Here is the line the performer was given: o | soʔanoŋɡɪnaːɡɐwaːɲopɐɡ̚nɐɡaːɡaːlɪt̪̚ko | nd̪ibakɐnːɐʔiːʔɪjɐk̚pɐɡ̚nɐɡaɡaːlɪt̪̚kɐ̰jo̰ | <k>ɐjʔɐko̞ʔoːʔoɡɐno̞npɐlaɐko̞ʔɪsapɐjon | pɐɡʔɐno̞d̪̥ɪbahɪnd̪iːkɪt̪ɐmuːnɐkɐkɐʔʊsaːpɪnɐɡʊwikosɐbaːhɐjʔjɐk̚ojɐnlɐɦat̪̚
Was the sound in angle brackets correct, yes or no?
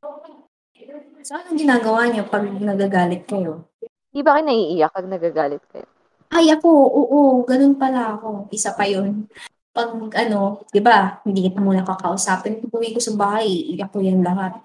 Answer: no